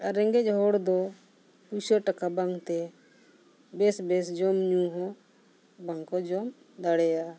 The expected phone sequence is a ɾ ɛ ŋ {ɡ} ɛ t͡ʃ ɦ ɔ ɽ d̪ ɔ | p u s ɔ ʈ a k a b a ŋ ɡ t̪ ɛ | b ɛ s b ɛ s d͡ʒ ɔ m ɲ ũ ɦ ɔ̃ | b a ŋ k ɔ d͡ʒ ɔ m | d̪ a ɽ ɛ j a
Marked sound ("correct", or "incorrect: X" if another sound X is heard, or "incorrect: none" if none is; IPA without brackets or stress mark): correct